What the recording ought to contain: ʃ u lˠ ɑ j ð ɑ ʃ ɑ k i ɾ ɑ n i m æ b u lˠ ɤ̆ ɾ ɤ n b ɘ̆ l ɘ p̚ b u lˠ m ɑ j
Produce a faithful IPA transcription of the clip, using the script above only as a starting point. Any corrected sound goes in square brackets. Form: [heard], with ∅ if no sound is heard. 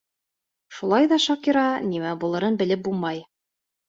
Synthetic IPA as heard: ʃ u lˠ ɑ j ð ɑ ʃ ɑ k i ɾ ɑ n i m æ b u lˠ ɤ̆ ɾ ɤ n b ɘ̆ l ɘ p̚ b u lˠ m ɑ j